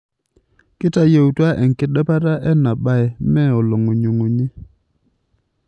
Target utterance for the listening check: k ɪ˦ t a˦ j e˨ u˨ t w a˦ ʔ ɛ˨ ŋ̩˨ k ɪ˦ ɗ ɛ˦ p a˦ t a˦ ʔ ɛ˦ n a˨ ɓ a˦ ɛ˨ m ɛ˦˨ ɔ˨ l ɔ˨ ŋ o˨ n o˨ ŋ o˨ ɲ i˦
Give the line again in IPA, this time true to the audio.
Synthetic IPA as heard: k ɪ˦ t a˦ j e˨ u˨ t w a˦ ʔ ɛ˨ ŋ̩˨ k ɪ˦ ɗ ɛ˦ p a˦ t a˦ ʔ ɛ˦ n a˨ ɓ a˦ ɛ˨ m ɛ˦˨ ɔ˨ l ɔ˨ ŋ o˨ ɲ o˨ ŋ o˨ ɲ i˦